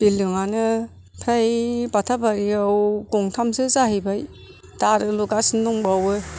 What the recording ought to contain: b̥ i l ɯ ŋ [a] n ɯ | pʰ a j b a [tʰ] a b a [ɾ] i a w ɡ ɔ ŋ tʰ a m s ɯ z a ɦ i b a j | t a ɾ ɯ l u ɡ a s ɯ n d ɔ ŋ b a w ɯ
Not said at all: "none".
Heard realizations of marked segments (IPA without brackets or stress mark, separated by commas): a, tʰ, ɾ